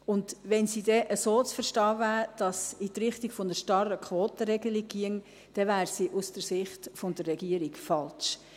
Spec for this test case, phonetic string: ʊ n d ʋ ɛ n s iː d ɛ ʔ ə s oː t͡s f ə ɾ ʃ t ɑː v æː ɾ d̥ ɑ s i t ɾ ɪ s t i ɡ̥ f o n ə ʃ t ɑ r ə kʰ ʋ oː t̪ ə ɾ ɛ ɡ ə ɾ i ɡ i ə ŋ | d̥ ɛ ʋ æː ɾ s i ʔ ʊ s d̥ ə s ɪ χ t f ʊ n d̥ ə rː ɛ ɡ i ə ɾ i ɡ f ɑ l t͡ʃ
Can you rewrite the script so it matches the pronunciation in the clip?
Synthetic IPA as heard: ʊ n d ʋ ɛ n s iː d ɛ ʔ ə s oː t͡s f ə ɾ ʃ t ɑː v æː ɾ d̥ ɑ s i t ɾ ɪ χ t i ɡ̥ f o n ə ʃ t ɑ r ə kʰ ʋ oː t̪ ə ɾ ɛ ɡ ə l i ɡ i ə ŋ | d̥ ɛ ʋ æː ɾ s i ʔ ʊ s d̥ ə s ɪ χ t f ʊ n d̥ ə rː ɛ ɡ i ə ɾ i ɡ f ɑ l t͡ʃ